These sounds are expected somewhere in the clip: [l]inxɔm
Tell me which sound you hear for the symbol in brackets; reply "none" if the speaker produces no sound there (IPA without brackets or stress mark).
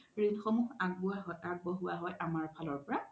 ɹ